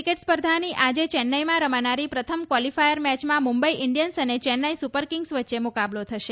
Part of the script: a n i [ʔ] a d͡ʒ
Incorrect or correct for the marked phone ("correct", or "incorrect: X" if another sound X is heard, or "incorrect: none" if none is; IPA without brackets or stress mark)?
correct